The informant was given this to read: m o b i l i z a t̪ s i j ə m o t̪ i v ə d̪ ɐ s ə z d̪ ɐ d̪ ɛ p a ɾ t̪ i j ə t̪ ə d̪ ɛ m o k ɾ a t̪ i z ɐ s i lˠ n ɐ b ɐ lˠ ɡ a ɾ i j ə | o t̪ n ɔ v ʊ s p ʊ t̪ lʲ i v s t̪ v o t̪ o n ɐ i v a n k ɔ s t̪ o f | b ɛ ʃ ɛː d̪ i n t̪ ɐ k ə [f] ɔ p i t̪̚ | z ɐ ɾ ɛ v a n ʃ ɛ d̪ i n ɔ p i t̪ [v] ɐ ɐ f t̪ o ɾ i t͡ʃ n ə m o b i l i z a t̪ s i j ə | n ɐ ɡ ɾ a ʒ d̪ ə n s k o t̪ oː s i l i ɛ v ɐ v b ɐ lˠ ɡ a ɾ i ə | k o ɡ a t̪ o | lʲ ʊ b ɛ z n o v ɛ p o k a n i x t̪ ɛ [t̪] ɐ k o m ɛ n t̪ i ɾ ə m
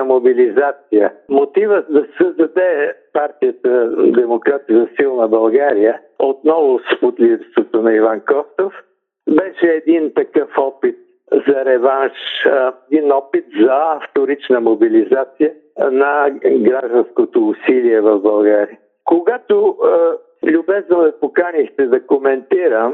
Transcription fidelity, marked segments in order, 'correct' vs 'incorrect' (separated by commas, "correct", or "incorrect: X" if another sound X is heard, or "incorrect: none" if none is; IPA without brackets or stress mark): correct, incorrect: z, incorrect: d̪